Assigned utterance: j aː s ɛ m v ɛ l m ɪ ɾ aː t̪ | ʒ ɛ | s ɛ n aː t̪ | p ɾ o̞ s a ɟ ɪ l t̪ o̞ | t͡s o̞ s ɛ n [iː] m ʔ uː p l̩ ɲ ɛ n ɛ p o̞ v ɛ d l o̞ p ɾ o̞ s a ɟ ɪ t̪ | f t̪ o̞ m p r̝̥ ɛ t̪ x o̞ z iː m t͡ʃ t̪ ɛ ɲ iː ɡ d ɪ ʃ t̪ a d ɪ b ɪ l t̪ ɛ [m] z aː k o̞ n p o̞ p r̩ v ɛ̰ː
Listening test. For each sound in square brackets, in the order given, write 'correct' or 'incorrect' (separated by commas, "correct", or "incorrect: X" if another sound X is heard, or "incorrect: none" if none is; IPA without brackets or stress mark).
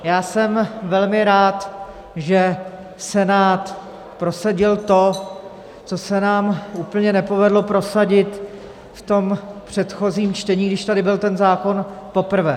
incorrect: aː, incorrect: n